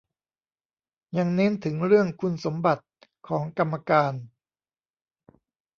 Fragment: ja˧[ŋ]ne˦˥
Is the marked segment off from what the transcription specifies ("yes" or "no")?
no